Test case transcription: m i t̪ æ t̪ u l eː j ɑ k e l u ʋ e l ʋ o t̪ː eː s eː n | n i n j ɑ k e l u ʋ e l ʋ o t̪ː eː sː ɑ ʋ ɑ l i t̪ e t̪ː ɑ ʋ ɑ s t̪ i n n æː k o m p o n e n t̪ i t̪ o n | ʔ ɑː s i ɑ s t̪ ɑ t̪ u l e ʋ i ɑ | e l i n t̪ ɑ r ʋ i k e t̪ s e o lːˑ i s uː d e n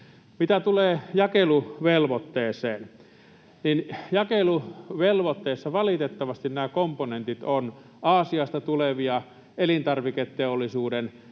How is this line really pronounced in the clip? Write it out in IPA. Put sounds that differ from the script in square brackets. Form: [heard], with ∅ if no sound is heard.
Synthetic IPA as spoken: m i t̪ æ t̪ u l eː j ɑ k e l u ʋ e l ʋ o t̪ː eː s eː n | n i n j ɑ k e l u ʋ e l ʋ o t̪ː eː sː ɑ ʋ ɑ l i t̪ e t̪ː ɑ ʋ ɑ s t̪ i n n æː k o m p o n e n t̪ i t̪ o n | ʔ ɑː s i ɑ s t̪ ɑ t̪ u l e ʋ i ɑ | e l i n t̪ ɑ r ʋ i k e t̪ [t] e o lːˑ i s uː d e n